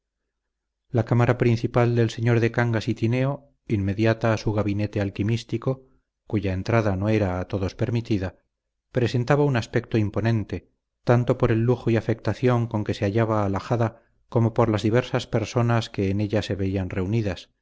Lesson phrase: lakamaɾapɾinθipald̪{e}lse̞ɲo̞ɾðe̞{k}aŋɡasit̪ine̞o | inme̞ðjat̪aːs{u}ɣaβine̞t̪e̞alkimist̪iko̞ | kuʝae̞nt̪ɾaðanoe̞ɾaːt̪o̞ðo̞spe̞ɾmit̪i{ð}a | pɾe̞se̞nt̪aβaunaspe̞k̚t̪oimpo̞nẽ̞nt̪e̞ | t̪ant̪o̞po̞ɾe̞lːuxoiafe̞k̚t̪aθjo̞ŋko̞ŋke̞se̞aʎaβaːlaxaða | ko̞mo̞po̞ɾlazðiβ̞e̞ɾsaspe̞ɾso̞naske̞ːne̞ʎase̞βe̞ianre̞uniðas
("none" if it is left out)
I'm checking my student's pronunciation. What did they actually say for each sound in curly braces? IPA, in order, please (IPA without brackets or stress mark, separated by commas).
e, k, u, ð